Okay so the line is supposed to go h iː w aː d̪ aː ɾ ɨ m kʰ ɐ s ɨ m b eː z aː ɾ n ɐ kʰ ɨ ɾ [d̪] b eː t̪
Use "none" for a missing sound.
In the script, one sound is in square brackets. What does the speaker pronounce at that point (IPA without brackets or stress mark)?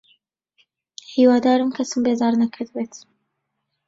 d̪